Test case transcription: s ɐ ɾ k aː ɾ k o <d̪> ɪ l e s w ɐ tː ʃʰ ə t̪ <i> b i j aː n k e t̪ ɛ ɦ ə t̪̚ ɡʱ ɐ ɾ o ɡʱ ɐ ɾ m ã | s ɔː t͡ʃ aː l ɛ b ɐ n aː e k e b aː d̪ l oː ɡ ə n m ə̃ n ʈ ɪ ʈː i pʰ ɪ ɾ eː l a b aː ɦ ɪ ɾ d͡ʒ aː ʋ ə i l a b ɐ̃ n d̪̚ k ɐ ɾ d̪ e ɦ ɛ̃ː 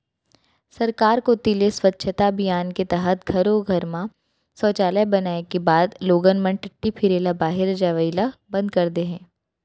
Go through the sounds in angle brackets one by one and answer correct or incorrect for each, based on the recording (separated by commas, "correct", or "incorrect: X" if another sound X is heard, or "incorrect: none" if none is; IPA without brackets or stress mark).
incorrect: t̪, incorrect: a